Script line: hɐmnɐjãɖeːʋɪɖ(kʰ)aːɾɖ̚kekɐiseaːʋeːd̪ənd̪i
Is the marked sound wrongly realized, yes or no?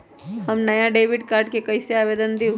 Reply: yes